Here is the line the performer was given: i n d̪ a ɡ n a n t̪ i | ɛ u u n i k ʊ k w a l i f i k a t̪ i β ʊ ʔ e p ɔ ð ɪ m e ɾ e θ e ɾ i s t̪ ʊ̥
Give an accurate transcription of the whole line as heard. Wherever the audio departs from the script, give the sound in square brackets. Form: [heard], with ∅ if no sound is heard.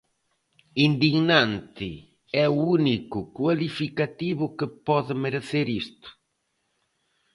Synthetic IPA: i n d̪ [i] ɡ n a n t̪ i | ɛ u u n i k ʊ k w a l i f i k a t̪ i β ʊ [k] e p ɔ ð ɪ m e ɾ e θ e ɾ i s t̪ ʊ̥